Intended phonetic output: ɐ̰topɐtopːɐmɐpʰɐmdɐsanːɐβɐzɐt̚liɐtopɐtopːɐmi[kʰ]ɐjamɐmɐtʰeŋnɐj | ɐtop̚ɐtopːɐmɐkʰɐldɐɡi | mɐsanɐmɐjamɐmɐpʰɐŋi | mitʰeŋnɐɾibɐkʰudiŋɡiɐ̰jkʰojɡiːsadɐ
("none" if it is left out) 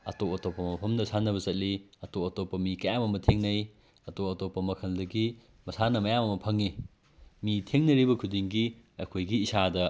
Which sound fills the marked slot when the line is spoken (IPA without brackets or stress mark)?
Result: k